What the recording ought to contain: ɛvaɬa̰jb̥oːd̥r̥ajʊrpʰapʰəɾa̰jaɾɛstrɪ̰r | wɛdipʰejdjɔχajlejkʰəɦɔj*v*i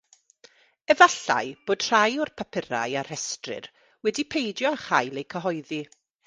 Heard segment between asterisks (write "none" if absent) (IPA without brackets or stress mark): ð